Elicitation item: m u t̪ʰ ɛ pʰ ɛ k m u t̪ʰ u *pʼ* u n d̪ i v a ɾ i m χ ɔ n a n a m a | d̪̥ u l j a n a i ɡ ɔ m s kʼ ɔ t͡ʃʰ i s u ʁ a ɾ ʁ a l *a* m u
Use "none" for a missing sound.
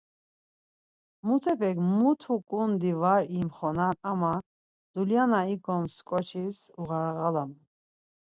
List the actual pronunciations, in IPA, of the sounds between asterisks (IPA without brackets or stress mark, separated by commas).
kʼ, a